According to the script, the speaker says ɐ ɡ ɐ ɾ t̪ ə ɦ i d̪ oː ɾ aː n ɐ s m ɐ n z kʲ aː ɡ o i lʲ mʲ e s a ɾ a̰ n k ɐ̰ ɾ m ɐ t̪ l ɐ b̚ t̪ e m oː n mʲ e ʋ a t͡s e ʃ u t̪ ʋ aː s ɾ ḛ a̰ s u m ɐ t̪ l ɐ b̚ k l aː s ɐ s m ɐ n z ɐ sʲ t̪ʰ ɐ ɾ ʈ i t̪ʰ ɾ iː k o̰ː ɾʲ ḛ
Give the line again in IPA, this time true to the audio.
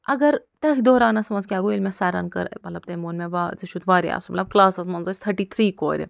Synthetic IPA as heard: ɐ ɡ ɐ ɾ t̪ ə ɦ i d̪ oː ɾ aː n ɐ s m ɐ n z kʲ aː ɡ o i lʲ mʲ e s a ɾ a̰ n k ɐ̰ ɾ m ɐ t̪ l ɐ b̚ t̪ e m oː n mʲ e ʋ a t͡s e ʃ u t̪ ʋ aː ɾ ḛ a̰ s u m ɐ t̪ l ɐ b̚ k l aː s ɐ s m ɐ n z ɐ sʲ t̪ʰ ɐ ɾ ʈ i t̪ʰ ɾ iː k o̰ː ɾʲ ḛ